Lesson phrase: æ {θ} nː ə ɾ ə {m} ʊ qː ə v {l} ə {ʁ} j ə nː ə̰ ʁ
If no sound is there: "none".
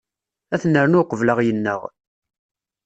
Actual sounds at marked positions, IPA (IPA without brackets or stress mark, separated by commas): θ, n, l, ʁ